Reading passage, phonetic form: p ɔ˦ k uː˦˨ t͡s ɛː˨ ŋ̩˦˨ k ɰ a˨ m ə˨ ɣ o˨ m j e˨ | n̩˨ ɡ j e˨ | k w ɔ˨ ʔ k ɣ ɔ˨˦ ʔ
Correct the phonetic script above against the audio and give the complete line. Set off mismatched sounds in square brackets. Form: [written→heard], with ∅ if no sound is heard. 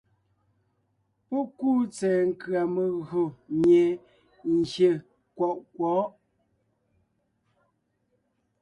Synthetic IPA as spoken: p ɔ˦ k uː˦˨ t͡s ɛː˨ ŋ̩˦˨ k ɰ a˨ m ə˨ ɣ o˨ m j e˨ | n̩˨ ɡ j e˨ | k w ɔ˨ ʔ k [ɣ→w] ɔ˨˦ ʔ